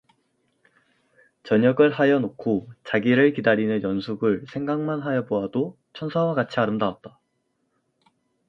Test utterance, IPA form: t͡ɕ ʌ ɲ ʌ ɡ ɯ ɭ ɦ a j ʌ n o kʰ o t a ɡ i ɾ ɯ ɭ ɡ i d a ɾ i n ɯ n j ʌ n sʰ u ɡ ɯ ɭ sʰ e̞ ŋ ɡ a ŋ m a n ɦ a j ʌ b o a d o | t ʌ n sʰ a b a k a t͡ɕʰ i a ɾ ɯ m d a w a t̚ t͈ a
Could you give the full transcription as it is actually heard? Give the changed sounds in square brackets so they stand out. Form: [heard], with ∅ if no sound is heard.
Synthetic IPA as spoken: t͡ɕ ʌ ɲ ʌ ɡ ɯ ɭ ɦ a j ʌ n o kʰ o [t͡ɕ] a ɡ i ɾ ɯ ɭ [k] i d a ɾ i n ɯ n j ʌ n sʰ u ɡ ɯ ɭ sʰ e̞ ŋ ɡ a ŋ m a n ɦ a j ʌ b o a d o | [t͡ɕʰ] ʌ n sʰ a [w] a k a t͡ɕʰ i a ɾ ɯ m d a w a t̚ t͈ a